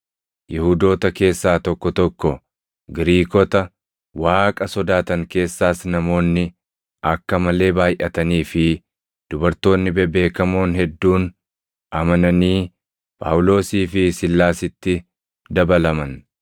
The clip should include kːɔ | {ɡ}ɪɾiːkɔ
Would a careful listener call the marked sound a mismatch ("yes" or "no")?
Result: no